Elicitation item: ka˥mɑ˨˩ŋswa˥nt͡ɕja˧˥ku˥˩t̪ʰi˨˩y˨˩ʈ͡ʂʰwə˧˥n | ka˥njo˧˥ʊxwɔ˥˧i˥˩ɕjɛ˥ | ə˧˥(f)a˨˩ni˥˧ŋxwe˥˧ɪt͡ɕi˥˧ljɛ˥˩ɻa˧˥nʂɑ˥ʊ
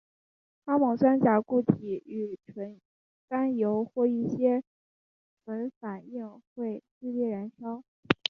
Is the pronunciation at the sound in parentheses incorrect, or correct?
correct